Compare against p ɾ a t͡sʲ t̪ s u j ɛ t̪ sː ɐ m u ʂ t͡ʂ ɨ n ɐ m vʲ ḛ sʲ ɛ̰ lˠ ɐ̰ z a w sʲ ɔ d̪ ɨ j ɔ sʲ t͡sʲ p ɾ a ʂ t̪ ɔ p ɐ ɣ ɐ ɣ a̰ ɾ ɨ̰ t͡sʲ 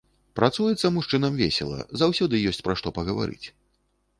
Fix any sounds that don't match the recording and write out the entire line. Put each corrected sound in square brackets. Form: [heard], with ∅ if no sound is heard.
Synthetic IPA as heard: p ɾ a [∅] t̪ s u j ɛ t̪ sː ɐ m u ʂ t͡ʂ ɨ n ɐ m vʲ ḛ sʲ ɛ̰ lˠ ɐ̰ z a w sʲ ɔ d̪ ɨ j ɔ sʲ t͡sʲ p ɾ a ʂ t̪ ɔ p ɐ ɣ ɐ [v] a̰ ɾ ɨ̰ t͡sʲ